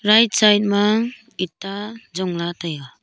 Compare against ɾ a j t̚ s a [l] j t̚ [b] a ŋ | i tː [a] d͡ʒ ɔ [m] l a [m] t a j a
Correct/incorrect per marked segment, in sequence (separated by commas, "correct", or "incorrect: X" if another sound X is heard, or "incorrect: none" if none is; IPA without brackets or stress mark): incorrect: none, incorrect: m, correct, incorrect: ŋ, incorrect: none